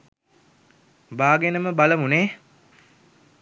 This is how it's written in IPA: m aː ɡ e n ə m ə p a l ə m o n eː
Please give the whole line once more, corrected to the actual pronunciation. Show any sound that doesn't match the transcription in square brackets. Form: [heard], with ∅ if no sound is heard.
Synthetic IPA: [b] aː ɡ e n ə m ə [b] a l ə m [u] n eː

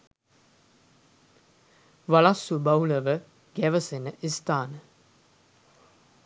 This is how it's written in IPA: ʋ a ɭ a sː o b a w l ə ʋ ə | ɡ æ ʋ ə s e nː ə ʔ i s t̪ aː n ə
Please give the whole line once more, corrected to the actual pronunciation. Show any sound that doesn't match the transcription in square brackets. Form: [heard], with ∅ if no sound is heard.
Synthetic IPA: ʋ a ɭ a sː [u] b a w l ə ʋ ə | ɡ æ ʋ ə s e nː ə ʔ i s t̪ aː n ə

